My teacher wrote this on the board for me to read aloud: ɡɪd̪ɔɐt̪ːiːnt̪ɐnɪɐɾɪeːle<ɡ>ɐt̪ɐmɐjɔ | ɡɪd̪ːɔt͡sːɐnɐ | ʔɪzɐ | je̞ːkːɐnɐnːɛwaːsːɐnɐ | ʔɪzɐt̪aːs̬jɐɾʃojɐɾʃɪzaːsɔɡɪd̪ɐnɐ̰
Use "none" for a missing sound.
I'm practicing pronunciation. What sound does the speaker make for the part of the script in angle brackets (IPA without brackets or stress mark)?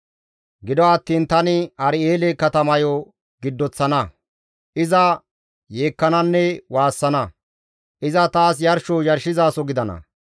k